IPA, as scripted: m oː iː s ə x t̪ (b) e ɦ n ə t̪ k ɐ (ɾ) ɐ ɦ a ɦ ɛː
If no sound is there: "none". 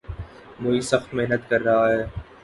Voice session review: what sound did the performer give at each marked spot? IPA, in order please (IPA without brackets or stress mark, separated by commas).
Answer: m, ɾː